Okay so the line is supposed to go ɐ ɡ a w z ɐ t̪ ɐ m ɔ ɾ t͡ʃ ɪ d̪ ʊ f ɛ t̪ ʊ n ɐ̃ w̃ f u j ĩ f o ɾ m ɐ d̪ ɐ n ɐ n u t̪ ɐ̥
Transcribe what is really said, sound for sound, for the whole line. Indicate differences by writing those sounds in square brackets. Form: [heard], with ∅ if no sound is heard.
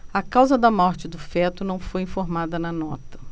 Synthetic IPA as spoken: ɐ [k] a w z ɐ [d̪] ɐ m ɔ ɾ t͡ʃ ɪ d̪ ʊ f ɛ t̪ ʊ n ɐ̃ w̃ f [o] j ĩ f o ɾ m [a] d̪ ɐ n ɐ n [ɔ] t̪ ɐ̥

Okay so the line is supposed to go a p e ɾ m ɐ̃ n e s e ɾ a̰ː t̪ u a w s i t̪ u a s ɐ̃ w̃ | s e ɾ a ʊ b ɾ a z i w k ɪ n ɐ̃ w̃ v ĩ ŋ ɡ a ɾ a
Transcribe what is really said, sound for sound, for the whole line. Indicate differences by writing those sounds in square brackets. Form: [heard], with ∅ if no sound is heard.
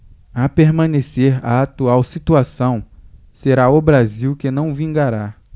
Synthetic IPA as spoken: a p e ɾ m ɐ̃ n e s e ɾ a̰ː t̪ u a w s i t̪ u a s ɐ̃ w̃ | s e ɾ a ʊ b ɾ a z i w k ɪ n ɐ̃ w̃ v ĩ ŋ ɡ a ɾ a

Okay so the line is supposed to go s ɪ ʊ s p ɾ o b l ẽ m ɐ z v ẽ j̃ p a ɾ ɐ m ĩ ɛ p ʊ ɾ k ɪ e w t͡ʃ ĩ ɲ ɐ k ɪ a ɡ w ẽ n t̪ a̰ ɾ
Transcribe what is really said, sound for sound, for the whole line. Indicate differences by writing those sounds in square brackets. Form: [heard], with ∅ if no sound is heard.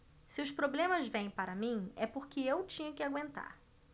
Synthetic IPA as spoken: s ɪ ʊ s p ɾ o b l ẽ m ɐ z v ẽ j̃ p a ɾ ɐ m ĩ ɛ p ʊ ɾ k ɪ e w t͡ʃ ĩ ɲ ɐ k ɪ a ɡ w ẽ n t̪ a̰ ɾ

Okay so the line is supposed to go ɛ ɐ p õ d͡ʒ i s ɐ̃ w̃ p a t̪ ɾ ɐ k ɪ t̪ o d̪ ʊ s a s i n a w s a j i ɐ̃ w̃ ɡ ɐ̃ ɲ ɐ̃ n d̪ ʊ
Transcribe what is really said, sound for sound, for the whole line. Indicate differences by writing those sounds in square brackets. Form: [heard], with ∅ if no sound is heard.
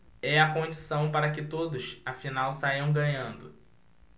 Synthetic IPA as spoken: ɛ ɐ [k] õ d͡ʒ i s ɐ̃ w̃ p a [∅] ɾ ɐ k ɪ t̪ o d̪ ʊ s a [f] i n a w s a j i ɐ̃ w̃ ɡ ɐ̃ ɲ ɐ̃ n d̪ ʊ

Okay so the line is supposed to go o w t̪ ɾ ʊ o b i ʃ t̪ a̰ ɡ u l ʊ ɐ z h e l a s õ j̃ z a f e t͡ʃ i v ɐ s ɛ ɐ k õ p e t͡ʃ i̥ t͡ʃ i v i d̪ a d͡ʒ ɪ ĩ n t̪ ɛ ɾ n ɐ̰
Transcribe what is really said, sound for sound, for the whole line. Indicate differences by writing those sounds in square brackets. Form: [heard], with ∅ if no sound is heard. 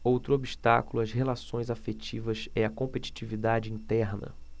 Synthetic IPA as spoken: o w t̪ ɾ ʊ o b i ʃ t̪ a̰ [k] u l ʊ ɐ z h e l a s õ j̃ z a f e t͡ʃ i v ɐ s ɛ ɐ k õ p e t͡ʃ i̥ t͡ʃ i v i d̪ a d͡ʒ ɪ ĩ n t̪ ɛ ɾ n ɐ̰

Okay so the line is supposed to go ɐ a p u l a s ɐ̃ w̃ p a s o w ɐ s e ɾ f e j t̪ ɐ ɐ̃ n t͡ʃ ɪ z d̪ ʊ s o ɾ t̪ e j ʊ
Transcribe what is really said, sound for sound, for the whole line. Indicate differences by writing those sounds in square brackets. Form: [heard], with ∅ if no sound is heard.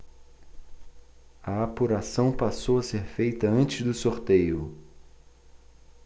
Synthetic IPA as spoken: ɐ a p u [ɾ] a s ɐ̃ w̃ p a s o w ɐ s e ɾ f e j t̪ ɐ ɐ̃ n t͡ʃ ɪ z d̪ ʊ s o ɾ t̪ e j ʊ

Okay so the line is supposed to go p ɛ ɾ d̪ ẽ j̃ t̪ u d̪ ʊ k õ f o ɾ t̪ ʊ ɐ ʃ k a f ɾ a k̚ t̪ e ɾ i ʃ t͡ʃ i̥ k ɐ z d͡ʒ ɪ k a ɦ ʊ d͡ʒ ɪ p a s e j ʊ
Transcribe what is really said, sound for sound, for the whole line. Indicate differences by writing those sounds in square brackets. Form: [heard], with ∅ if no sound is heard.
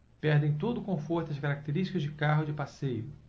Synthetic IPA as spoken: p ɛ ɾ d̪ ẽ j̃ t̪ [o] d̪ ʊ k õ f o ɾ t̪ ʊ ɐ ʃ k a [∅] ɾ a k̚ t̪ e ɾ i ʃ t͡ʃ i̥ k ɐ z d͡ʒ ɪ k a ɦ ʊ d͡ʒ ɪ p a s e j ʊ

